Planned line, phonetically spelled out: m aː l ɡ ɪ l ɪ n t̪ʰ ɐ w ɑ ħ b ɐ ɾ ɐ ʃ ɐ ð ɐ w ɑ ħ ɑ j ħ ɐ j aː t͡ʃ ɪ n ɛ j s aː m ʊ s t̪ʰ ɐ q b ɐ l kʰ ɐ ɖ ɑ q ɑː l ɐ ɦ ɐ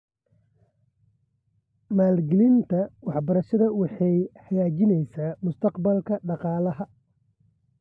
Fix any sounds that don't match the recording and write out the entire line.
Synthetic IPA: m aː l ɡ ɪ l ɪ n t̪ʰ ɐ w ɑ ħ b ɐ ɾ ɐ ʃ ɐ ð ɐ w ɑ ħ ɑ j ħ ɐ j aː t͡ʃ ɪ n ɛ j s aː m ʊ s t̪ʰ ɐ q b ɐ l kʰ ɐ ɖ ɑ q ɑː l ɐ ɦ ɐ